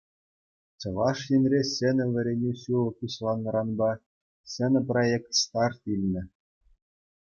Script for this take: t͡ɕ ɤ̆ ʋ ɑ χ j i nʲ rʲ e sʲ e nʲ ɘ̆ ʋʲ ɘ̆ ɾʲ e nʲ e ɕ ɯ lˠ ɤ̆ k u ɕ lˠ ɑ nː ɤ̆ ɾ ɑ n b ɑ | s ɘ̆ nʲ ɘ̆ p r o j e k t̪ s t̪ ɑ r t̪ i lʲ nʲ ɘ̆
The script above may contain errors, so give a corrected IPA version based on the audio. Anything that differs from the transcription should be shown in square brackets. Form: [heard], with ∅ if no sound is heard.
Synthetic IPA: t͡ɕ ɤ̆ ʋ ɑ [ʂ] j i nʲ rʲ e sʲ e nʲ ɘ̆ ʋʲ ɘ̆ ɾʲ e nʲ e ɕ [u] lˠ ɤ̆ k u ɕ lˠ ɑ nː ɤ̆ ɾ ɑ n b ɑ | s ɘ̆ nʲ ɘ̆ p r o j e k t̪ s t̪ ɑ r t̪ i lʲ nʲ ɘ̆